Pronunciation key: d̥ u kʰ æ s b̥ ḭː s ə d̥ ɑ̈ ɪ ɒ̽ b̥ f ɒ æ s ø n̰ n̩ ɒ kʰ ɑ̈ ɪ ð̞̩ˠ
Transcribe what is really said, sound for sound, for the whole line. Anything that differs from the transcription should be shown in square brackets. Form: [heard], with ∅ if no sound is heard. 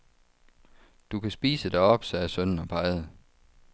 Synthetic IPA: d̥ u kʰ æ s b̥ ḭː s ə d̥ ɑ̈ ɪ ɒ̽ b̥ [s] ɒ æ s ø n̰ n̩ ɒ [pʰ] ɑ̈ ɪ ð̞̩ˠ